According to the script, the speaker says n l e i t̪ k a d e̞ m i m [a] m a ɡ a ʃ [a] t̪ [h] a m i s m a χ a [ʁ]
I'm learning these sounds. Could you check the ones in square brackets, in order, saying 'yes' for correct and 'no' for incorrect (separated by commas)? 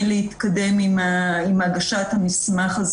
no, yes, yes, no